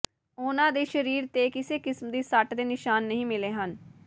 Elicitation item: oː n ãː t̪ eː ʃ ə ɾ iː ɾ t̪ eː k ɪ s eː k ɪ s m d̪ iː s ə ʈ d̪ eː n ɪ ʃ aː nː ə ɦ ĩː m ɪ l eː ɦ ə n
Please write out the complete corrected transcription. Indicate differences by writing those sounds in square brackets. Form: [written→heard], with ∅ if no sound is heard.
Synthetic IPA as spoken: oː n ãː [t̪→d̪] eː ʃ ə ɾ iː ɾ t̪ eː k ɪ s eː k ɪ s m d̪ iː s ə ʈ d̪ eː n ɪ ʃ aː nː ə ɦ ĩː m ɪ l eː ɦ ə n

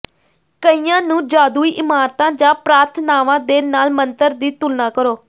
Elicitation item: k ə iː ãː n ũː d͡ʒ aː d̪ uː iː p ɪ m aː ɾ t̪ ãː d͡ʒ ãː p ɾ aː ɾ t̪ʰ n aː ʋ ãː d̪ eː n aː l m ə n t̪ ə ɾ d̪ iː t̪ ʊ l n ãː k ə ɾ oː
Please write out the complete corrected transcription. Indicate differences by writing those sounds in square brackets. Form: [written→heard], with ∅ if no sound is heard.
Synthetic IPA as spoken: k ə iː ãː n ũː d͡ʒ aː d̪ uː iː [p→ʔ] ɪ m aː ɾ t̪ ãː d͡ʒ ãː p ɾ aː ɾ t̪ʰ n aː ʋ ãː d̪ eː n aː l m ə n t̪ ə ɾ d̪ iː t̪ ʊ l n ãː k ə ɾ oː

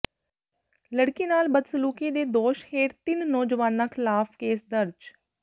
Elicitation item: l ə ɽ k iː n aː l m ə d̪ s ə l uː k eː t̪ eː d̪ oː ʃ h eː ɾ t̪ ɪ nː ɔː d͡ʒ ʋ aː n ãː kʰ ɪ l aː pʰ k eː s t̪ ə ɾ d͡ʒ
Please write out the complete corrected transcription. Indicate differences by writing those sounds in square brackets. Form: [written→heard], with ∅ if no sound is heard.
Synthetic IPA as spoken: l ə ɽ k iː n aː l [m→b] ə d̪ s ə l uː k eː [t̪→d̪] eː d̪ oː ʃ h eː ɾ t̪ ɪ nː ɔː d͡ʒ ʋ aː n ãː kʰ ɪ l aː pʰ k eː s [t̪→d̪] ə ɾ d͡ʒ

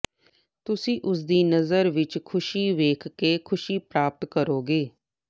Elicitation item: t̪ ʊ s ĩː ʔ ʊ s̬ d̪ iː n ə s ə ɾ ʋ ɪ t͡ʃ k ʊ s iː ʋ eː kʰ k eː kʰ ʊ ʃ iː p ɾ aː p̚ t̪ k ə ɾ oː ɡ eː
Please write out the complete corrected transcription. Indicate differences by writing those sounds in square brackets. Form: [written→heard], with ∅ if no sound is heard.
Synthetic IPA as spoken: t̪ ʊ s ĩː ʔ ʊ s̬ d̪ iː n ə [s→z] ə ɾ ʋ ɪ t͡ʃ [k→kʰ] ʊ [s→ʃ] iː ʋ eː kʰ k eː kʰ ʊ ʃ iː p ɾ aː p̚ t̪ k ə ɾ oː ɡ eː

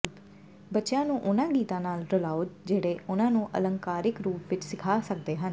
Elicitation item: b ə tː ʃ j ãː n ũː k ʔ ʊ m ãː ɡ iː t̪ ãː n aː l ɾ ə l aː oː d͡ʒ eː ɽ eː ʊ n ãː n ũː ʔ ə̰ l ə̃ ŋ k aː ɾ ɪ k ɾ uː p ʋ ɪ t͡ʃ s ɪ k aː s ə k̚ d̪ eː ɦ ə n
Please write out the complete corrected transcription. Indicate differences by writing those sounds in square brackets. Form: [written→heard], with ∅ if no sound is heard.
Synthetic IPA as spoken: b ə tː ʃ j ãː n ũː [k→∅] ʔ ʊ [m→n] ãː ɡ iː t̪ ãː n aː l ɾ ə l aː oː d͡ʒ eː ɽ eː ʊ n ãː n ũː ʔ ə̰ l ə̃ ŋ k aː ɾ ɪ k ɾ uː p ʋ ɪ t͡ʃ s ɪ [k→kʰ] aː s ə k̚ d̪ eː ɦ ə n

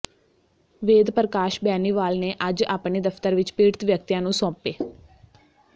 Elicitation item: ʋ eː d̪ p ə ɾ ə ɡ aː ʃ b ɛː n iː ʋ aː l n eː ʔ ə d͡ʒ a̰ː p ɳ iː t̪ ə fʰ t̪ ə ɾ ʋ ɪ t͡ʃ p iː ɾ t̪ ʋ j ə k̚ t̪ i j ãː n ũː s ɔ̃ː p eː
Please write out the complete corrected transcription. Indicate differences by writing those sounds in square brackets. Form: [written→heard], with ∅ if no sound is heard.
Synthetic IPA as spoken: ʋ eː d̪ p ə ɾ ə [ɡ→k] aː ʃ b ɛː n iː ʋ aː l n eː ʔ ə d͡ʒ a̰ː p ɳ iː [t̪→d̪] ə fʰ t̪ ə ɾ ʋ ɪ t͡ʃ p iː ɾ t̪ ʋ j ə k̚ t̪ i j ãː n ũː s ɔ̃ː p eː

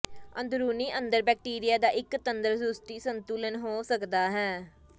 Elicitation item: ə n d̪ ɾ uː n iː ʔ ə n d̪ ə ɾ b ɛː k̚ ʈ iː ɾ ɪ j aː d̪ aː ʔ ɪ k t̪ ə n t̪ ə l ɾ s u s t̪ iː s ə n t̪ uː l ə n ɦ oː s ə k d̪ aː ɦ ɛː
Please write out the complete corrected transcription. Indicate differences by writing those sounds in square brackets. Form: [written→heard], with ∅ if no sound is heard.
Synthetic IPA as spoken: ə n d̪ ɾ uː n iː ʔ ə n d̪ ə ɾ b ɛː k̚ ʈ iː ɾ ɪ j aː d̪ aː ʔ ɪ k t̪ ə n [t̪→d̪] ə [l→∅] ɾ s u s t̪ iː s ə n t̪ uː l ə n ɦ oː s ə k d̪ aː ɦ ɛː

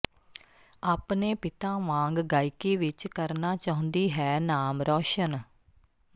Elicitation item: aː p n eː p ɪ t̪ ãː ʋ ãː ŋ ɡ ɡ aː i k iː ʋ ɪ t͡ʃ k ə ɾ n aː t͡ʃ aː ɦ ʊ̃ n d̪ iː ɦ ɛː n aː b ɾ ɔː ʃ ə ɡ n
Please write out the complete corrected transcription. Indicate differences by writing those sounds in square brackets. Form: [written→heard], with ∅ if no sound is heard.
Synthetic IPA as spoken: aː p n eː p ɪ t̪ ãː ʋ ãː ŋ ɡ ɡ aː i k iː ʋ ɪ t͡ʃ k ə ɾ n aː t͡ʃ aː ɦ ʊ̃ n d̪ iː ɦ ɛː n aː [b→m] ɾ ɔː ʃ ə [ɡ→∅] n

